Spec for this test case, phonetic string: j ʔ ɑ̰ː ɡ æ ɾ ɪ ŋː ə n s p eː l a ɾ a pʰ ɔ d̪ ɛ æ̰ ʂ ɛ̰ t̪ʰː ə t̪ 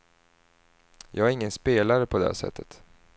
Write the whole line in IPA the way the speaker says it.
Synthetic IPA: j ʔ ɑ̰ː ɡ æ ɾ ɪ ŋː ə n s p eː l a ɾ ə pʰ ɔ d̪ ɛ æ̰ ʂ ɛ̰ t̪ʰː ə t̪